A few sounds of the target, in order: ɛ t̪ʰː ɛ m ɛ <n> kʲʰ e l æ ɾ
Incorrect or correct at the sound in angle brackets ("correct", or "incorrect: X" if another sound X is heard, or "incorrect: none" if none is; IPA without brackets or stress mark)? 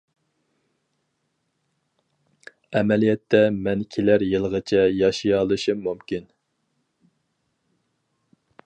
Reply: correct